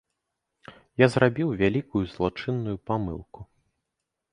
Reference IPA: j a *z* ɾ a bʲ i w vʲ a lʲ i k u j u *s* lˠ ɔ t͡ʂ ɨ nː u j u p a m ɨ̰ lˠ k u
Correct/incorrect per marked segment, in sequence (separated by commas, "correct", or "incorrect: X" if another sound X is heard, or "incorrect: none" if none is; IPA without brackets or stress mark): correct, incorrect: z